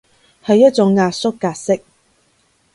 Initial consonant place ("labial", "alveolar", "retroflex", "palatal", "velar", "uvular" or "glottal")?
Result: glottal